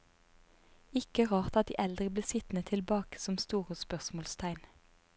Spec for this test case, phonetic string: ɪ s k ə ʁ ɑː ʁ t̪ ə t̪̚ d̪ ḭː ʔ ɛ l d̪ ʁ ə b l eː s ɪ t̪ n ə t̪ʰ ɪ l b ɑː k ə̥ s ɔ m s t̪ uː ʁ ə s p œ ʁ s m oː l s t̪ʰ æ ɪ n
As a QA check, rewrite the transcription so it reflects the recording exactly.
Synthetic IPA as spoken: ɪ k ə ʁ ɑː ʁ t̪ ɑ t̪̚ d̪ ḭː ʔ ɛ l d̪ ʁ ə b l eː s ɪ t̪ n ə t̪ʰ ɪ l b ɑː k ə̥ s ɔ m s t̪ uː ʁ ə s p œ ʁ s m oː l s t̪ʰ æ ɪ n